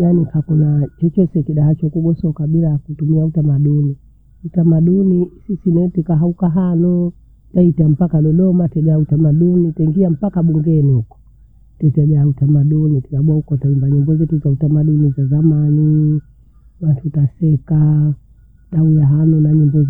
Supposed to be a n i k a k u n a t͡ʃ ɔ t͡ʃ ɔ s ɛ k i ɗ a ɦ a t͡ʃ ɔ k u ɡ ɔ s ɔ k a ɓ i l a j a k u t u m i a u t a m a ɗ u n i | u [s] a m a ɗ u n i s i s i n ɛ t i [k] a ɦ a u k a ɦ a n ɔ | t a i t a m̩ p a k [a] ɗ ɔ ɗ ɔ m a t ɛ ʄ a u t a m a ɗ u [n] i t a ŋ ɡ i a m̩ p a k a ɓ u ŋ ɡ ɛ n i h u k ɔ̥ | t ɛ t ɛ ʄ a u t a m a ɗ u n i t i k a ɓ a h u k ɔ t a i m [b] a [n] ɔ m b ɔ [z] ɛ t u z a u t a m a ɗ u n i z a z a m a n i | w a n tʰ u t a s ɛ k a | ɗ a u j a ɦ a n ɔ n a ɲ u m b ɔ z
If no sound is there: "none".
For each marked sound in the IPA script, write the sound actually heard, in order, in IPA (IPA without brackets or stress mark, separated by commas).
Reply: t, k, a, n, b, ɲ, z